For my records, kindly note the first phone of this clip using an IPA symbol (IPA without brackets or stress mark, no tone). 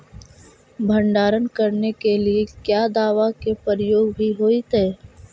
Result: bʱ